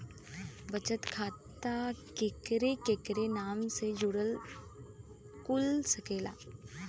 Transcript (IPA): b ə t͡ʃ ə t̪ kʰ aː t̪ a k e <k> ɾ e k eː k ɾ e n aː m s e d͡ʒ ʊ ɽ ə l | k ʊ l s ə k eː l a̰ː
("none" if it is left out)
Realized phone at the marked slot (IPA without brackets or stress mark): k